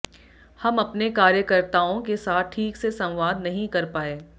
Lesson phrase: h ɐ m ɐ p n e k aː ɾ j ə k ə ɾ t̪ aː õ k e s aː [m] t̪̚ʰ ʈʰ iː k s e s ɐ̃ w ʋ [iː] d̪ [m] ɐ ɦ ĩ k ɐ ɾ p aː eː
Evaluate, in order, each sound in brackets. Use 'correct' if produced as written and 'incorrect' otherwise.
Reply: incorrect, incorrect, incorrect

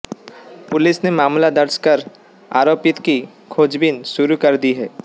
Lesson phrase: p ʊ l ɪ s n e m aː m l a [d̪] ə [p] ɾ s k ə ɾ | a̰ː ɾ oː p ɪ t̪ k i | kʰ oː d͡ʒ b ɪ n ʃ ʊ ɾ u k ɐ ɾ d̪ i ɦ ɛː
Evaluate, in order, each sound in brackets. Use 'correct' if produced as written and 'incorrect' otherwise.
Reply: correct, incorrect

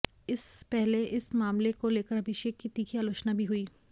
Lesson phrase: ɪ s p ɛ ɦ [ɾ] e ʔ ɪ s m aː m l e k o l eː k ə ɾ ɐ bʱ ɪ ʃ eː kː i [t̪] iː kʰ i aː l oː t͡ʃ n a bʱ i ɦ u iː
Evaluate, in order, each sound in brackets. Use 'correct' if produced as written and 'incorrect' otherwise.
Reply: incorrect, correct

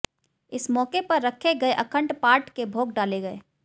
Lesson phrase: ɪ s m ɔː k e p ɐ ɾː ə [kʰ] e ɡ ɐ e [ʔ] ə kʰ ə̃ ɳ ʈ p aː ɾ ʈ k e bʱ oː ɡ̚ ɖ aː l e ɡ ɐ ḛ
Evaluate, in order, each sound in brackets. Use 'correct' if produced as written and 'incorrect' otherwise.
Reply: correct, correct

